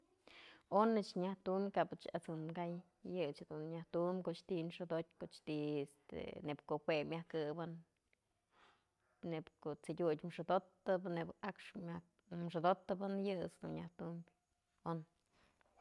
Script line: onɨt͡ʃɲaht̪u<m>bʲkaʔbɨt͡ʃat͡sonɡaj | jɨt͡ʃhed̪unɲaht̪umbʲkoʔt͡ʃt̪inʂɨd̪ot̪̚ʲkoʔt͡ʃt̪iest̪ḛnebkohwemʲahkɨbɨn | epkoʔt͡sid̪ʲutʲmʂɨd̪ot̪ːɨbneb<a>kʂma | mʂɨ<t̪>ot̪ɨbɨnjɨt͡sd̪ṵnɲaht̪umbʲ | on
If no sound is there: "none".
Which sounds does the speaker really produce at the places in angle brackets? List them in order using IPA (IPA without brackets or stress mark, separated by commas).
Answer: m, a, d̪